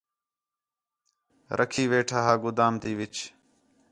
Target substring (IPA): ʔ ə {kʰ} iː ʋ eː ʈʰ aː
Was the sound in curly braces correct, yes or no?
yes